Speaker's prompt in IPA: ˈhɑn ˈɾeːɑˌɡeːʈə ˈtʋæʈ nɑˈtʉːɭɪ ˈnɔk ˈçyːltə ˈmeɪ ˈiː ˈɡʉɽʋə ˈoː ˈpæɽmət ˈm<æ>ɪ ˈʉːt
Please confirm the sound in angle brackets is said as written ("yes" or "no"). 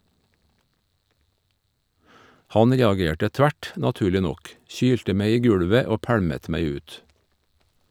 yes